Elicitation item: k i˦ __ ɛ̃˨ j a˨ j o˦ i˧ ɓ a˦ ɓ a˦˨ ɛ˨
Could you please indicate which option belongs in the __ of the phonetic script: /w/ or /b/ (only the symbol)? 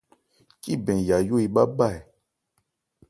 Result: b